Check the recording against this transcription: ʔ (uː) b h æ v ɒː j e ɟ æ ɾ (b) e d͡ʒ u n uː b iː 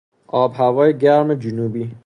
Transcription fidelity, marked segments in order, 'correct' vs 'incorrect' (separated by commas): incorrect, incorrect